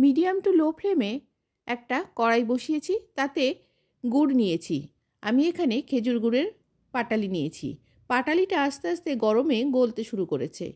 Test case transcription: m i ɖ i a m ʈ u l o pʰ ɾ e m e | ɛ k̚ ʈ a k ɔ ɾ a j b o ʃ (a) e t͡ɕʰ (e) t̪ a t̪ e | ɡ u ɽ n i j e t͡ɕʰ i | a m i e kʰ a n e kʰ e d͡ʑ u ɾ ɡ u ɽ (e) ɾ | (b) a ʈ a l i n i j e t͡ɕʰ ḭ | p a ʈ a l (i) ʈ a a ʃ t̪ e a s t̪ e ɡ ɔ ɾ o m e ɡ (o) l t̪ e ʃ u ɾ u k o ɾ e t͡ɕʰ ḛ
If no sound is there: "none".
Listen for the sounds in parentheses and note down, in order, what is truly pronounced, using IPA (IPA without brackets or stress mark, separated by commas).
i, i, e, p, i, o